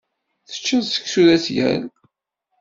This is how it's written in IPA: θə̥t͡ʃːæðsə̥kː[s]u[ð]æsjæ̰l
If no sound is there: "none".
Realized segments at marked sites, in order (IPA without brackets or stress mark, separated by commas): s, ð